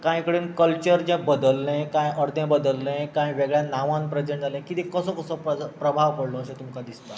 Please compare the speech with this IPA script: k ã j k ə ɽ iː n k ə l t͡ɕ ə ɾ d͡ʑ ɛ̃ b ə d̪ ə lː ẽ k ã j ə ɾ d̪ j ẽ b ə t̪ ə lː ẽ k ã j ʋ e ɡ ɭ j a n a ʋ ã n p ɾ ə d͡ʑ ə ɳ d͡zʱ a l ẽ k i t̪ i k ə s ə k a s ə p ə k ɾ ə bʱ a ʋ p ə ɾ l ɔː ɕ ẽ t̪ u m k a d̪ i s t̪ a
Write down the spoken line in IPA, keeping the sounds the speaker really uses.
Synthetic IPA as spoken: k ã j k ə ɽ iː n k ə l t͡ɕ ə ɾ d͡ʑ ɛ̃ b ə d̪ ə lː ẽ k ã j ə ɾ d̪ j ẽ b ə d̪ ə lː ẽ k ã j ʋ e ɡ ɭ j a n a ʋ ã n p ɾ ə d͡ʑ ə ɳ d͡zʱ a l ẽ k i t̪ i k ə s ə k ə s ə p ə p ɾ ə bʱ a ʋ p ə ɽ l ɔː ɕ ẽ t̪ u m k a d̪ i s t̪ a